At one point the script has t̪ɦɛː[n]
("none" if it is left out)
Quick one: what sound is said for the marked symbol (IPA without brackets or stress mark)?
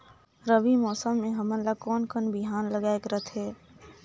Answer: none